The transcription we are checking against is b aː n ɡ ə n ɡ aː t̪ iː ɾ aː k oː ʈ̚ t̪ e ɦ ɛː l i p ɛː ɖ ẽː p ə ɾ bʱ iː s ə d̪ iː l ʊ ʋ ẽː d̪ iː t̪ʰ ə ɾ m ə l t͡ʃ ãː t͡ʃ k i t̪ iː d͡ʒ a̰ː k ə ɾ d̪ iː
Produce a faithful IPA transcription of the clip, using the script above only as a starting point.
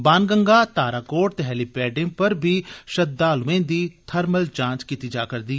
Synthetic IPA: b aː n ɡ ə ŋ ɡ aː t̪ aː ɾ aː k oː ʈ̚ t̪ e ɦ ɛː l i p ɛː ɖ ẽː p ə ɾ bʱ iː ʃ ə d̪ aː l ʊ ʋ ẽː d̪ iː t̪ʰ ə ɾ m ə l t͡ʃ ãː t͡ʃ k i t̪ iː d͡ʒ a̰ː k ə ɾ d̪ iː